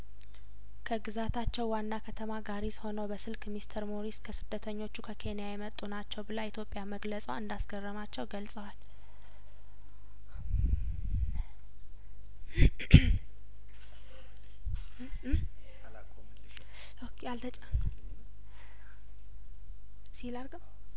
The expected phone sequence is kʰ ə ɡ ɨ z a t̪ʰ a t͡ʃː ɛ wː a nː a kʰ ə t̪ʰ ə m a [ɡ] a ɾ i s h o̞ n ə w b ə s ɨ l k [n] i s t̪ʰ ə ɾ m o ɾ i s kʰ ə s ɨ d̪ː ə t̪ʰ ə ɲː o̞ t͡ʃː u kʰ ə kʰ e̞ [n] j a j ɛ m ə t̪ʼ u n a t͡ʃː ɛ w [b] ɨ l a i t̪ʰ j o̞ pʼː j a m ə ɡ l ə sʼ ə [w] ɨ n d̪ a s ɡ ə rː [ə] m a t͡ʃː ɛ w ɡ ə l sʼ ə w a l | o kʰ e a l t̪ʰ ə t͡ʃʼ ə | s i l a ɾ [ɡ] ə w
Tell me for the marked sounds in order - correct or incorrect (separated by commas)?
correct, incorrect, correct, correct, correct, correct, correct